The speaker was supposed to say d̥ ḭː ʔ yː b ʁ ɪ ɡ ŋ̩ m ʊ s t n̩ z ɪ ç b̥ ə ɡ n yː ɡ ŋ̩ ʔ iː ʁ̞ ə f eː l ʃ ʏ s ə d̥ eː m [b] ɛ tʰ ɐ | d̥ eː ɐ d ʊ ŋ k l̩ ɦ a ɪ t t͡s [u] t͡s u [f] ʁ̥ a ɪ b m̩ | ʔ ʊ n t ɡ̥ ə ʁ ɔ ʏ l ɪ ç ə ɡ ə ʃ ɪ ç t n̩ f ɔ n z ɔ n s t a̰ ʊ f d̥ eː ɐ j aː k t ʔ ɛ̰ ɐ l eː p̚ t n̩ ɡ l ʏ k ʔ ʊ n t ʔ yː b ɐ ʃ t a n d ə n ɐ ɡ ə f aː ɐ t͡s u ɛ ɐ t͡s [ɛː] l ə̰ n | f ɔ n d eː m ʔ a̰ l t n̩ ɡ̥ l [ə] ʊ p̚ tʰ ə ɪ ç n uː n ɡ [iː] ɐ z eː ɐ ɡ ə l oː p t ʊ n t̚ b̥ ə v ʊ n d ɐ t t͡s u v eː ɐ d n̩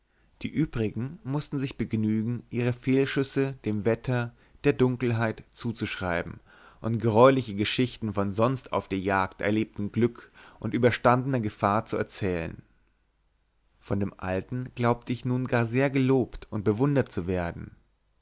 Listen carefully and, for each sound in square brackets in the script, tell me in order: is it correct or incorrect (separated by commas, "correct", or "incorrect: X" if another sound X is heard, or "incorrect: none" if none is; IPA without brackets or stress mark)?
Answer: incorrect: v, incorrect: uː, incorrect: ʃ, correct, incorrect: a, incorrect: aː